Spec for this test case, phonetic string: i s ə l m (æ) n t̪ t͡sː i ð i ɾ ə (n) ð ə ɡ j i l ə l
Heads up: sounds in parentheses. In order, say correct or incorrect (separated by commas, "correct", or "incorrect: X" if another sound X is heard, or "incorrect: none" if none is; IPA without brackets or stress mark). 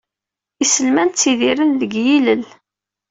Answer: correct, correct